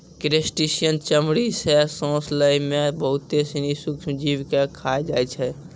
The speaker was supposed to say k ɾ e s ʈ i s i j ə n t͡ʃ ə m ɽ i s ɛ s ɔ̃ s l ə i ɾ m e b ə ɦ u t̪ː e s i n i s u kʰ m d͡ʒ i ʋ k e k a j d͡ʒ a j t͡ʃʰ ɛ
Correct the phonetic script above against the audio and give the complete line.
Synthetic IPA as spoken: k ɾ e s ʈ i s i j ə n t͡ʃ ə m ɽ i s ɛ s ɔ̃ s l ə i m e b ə ɦ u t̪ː e s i n i s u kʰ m d͡ʒ i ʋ k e kʰ a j d͡ʒ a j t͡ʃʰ ɛ